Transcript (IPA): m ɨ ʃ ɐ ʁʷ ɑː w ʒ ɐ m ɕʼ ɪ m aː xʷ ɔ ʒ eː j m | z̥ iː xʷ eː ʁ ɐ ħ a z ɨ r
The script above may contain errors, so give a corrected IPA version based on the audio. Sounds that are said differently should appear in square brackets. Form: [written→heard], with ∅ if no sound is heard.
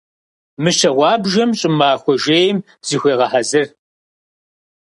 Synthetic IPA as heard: m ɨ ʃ ɐ ʁʷ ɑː [w→b] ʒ ɐ m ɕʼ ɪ m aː xʷ ɔ ʒ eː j m | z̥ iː xʷ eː ʁ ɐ ħ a z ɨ r